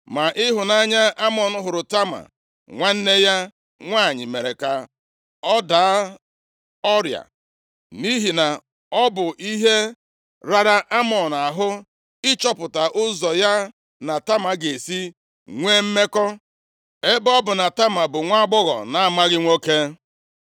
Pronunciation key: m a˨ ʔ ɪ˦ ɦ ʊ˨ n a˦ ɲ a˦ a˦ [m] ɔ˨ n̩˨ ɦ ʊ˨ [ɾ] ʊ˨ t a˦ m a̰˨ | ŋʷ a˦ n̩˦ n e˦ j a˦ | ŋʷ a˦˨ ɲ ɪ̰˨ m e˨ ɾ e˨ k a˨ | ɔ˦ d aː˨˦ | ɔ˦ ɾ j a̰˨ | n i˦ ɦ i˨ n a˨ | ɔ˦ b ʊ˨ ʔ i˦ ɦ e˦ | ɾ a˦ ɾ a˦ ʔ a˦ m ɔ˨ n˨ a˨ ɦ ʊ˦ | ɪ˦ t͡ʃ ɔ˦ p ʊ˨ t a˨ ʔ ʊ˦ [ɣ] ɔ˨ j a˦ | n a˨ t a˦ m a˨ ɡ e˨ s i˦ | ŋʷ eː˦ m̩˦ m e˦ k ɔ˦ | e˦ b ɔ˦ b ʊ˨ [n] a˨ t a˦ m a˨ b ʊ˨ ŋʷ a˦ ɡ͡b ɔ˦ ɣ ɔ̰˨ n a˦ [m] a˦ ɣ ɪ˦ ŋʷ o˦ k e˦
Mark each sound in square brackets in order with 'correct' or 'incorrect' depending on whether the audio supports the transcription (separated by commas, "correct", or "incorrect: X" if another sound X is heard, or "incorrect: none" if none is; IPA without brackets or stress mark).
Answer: correct, correct, incorrect: z, correct, correct